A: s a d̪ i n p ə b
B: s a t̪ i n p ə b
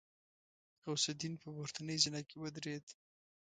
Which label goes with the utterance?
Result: A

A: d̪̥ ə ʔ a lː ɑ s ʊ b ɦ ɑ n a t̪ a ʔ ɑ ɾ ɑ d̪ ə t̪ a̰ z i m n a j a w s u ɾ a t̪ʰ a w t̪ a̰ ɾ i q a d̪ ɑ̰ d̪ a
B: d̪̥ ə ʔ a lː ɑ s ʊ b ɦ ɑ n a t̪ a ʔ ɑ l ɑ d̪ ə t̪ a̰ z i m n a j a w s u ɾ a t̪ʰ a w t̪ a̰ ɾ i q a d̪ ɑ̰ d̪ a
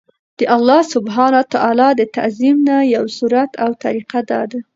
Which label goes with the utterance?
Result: B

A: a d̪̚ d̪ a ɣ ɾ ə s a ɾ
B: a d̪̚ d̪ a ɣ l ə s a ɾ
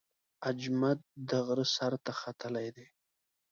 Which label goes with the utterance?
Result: A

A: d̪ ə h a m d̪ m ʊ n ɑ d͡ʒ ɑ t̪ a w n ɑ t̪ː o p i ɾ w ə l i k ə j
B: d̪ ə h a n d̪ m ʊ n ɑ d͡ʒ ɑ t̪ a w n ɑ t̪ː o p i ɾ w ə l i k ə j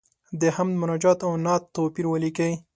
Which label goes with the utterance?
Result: A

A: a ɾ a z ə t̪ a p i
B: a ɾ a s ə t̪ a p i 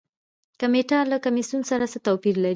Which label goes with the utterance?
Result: B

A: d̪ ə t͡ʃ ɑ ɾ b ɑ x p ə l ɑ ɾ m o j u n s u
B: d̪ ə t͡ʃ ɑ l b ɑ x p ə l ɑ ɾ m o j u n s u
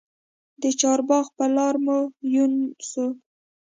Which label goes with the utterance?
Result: A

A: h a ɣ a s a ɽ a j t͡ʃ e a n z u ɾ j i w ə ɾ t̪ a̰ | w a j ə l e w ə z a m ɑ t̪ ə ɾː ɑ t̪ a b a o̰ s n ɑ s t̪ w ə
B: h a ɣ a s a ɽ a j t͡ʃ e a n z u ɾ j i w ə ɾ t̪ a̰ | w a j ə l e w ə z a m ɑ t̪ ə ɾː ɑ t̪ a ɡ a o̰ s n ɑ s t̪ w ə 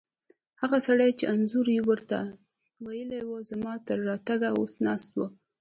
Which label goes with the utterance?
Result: B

